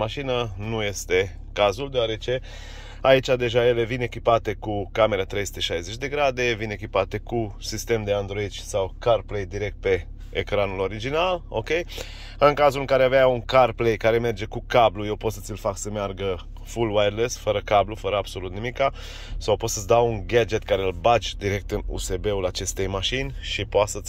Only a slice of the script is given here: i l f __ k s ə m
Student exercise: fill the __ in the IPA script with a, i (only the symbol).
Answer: a